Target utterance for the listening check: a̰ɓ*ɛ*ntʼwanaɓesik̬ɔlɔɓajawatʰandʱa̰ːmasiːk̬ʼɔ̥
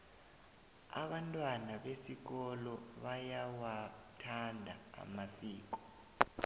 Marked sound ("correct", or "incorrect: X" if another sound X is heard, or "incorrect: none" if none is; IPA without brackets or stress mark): incorrect: a